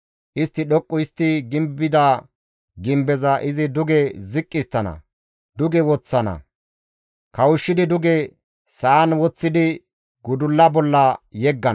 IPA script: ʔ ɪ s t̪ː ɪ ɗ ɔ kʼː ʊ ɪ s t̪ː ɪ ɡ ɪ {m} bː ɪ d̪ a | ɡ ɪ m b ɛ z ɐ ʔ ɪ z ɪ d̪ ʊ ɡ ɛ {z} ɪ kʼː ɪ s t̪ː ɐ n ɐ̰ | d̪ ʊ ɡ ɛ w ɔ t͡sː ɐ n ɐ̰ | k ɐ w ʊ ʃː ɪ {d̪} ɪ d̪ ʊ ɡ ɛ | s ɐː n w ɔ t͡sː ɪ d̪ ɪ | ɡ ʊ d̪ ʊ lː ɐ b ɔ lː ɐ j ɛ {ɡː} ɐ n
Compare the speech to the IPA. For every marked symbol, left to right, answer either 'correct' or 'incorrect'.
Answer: correct, correct, correct, correct

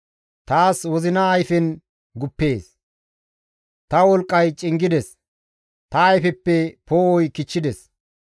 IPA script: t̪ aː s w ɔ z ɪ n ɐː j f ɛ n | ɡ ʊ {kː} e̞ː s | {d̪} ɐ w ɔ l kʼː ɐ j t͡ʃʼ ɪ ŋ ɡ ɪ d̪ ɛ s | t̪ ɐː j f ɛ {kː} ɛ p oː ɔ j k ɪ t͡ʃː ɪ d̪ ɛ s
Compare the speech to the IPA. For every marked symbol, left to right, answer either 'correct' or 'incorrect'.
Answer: incorrect, incorrect, incorrect

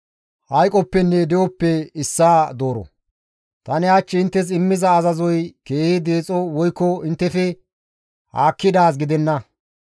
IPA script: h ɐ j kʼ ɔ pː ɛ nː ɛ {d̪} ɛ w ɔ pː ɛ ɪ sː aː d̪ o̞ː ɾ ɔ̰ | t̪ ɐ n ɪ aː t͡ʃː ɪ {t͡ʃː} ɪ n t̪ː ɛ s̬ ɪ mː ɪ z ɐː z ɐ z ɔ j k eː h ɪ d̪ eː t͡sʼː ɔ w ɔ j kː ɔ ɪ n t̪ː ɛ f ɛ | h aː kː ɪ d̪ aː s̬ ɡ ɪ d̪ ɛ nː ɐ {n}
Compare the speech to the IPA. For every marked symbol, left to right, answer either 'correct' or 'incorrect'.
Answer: correct, incorrect, incorrect

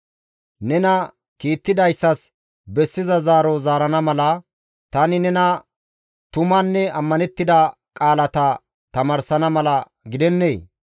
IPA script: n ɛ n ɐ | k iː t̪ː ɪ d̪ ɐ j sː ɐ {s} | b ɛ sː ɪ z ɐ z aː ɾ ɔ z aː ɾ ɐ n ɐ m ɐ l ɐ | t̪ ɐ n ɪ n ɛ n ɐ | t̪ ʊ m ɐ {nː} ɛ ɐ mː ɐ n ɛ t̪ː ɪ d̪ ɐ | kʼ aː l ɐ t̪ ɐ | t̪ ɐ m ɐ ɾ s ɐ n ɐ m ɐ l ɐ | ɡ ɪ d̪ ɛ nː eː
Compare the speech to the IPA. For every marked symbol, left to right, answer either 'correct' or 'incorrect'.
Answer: correct, correct

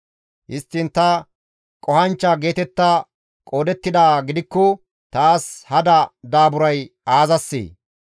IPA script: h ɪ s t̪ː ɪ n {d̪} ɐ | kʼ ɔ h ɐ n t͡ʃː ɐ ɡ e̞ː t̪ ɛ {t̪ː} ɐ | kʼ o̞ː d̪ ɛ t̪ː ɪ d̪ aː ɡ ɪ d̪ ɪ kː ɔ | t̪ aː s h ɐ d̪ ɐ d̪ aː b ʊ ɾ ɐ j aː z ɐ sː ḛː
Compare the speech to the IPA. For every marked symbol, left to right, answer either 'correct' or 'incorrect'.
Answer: incorrect, correct

